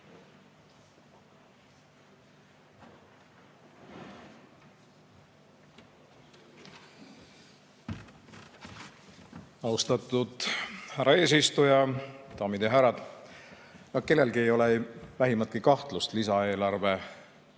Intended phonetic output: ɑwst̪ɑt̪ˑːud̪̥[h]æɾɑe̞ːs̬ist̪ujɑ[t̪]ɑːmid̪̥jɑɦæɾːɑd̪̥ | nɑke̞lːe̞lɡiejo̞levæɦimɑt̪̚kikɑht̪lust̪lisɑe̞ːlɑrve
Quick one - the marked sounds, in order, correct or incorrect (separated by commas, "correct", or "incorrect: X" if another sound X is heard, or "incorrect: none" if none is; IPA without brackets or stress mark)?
correct, correct